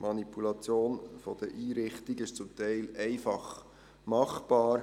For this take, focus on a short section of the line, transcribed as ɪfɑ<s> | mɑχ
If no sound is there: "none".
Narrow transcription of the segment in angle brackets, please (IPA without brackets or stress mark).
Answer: χ